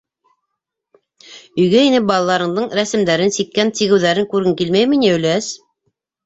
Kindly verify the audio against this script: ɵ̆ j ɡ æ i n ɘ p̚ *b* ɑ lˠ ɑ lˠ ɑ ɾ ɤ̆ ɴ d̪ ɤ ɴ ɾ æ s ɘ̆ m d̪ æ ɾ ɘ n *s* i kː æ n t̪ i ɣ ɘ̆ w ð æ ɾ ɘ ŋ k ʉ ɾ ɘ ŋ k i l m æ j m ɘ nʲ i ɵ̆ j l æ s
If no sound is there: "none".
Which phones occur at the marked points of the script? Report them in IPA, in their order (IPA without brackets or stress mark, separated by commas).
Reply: b, s